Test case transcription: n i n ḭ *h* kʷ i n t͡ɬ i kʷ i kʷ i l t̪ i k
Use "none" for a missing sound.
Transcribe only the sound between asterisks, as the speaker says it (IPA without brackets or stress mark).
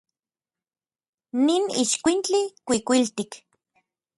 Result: ʃ